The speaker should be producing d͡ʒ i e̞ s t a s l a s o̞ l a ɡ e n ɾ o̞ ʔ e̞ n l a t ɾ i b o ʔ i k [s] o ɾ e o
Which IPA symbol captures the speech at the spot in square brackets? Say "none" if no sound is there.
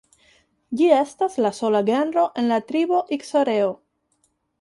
s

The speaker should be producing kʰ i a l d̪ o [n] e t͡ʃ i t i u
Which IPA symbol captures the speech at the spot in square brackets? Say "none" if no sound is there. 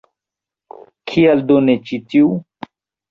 n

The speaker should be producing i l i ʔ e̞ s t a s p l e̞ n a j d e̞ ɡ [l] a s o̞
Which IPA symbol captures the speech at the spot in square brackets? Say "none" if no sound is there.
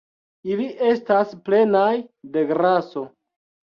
ɾ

